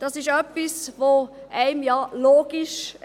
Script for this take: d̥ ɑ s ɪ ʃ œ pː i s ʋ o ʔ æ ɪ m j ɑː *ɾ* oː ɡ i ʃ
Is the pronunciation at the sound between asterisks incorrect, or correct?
incorrect